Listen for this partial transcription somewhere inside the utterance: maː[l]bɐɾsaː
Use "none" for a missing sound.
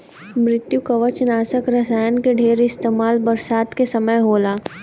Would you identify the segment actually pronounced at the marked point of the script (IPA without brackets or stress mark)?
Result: l